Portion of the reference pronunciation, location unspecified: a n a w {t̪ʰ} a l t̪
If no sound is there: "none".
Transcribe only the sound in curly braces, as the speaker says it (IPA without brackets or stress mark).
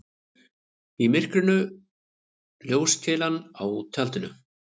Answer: t̪ʰ